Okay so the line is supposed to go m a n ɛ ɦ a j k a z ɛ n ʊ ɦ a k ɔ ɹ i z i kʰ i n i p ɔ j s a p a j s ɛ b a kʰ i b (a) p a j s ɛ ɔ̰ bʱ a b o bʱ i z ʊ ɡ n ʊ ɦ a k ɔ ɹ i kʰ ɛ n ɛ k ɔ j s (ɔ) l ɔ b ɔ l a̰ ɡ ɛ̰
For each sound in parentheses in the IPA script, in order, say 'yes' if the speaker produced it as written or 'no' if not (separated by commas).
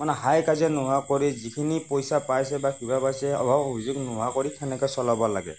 yes, yes